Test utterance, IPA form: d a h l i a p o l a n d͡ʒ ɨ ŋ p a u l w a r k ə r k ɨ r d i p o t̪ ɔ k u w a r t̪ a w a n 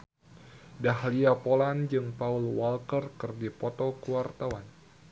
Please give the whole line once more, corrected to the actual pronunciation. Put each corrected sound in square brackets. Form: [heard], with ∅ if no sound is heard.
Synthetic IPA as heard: d a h l i a p o l a n d͡ʒ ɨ ŋ p a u l w a [l] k ə r k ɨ r d i p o t̪ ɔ k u w a r t̪ a w a n